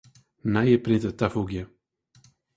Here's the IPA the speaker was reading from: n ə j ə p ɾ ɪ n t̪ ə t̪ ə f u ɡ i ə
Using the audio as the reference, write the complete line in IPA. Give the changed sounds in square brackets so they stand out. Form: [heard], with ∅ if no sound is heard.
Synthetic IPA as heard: n [a] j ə p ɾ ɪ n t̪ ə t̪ [a] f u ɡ [j] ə

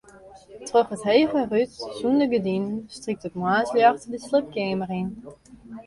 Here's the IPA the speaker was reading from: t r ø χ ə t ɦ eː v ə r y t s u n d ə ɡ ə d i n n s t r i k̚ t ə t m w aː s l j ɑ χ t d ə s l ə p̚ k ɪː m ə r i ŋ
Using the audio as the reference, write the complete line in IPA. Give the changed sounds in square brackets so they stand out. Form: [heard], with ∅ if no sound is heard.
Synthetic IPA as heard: t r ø χ ə t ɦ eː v ə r y t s u n d ə ɡ ə d i n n s t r i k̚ t ə t m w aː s l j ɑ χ t d ə s l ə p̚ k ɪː m ə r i [n]

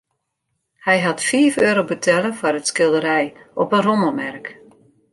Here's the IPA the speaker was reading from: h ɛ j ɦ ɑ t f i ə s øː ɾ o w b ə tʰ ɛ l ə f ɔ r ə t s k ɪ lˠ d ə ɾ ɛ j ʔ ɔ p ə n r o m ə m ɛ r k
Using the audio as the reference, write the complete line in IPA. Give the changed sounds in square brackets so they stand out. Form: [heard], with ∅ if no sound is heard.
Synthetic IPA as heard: h ɛ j ɦ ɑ t f i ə [f] øː ɾ o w b ə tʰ ɛ l ə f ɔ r ə t s k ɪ lˠ d ə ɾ ɛ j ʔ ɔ p ə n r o m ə m ɛ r k

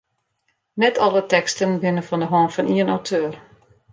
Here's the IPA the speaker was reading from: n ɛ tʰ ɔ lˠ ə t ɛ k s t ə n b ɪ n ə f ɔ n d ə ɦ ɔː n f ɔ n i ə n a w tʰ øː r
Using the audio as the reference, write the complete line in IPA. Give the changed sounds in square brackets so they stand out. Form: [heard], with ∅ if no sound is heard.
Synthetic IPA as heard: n ɛ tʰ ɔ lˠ ə t ɛ k s t ə n b ɪ n ə f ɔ n d ə ɦ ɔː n f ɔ n i ə n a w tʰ øː r

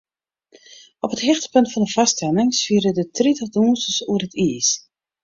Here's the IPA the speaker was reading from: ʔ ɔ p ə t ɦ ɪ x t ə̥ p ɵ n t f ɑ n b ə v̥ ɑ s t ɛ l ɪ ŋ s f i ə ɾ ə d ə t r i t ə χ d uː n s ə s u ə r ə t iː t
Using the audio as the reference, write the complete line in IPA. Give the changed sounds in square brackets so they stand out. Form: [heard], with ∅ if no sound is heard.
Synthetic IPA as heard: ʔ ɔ p ə t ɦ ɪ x t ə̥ p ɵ n t f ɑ n [d] ə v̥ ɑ s t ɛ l ɪ ŋ s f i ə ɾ ə d ə t r i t ə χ d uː n s ə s u ə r ə t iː [s]

